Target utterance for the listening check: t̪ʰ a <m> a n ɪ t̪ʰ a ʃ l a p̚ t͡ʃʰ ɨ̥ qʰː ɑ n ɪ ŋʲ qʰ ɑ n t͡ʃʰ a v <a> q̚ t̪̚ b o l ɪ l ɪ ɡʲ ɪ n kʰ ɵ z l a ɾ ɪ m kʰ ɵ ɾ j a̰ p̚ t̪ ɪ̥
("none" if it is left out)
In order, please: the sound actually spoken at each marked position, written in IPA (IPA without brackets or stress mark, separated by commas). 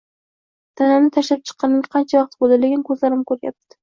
n, ɑ